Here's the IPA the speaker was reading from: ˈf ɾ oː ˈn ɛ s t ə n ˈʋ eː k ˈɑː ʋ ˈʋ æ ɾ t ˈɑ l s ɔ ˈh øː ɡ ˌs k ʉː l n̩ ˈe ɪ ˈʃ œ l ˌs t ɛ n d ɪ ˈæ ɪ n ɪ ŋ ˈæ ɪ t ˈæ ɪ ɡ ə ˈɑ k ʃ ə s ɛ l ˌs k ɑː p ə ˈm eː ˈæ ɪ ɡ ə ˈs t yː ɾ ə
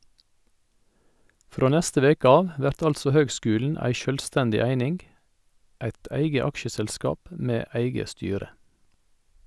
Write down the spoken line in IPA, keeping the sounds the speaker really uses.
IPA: ˈf ɾ oː ˈn ɛ s t ə ˈʋ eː k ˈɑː ʋ ˈʋ æ ɾ t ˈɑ l s ɔ ˈh øː ɡ ˌs k ʉː l n̩ ˈæ ɪ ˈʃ œ l ˌs t ɛ n d ɪ ˈæ ɪ n ɪ ŋ ˈæ ɪ t ˈæ ɪ ɡ ə ˈɑ k ʃ ə s ɛ l ˌs k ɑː p ə ˈm eː ˈæ ɪ ɡ ə ˈs t yː ɾ ə